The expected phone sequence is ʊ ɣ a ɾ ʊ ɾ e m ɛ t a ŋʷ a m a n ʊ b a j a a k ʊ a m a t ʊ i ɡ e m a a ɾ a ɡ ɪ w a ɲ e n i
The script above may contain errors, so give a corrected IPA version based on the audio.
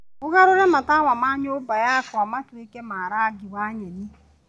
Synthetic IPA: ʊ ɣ a ɾ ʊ ɾ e m a t a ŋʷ a m a ɲ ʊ b a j a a k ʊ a m a t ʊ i k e m a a ɾ a ɡ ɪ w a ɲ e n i